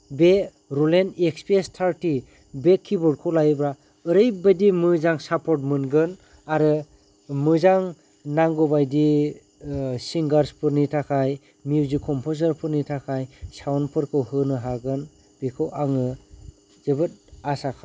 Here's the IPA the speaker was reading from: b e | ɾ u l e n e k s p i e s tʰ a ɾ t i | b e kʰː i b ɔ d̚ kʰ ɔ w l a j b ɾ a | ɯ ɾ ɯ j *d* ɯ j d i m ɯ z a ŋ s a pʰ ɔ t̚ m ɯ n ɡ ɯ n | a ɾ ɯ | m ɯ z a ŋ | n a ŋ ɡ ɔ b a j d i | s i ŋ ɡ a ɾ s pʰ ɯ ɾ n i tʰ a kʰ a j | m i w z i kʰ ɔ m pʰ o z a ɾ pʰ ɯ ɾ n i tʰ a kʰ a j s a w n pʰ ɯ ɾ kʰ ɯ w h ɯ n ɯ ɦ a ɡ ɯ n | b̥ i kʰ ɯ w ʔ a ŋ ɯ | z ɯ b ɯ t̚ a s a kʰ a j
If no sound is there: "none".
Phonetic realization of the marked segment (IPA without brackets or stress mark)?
b